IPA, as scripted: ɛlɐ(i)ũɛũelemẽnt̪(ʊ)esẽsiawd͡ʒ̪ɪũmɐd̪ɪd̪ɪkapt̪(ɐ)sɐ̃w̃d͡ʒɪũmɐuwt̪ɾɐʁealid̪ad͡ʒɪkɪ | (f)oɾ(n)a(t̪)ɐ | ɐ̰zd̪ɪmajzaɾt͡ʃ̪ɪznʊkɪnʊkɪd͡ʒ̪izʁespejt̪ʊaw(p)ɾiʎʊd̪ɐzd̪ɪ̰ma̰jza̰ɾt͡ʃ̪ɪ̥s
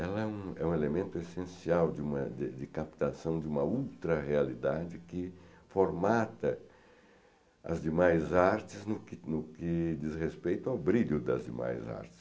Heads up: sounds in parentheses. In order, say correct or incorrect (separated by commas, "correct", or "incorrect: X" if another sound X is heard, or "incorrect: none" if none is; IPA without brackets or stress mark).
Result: incorrect: ɛ, correct, incorrect: a, correct, incorrect: m, correct, incorrect: b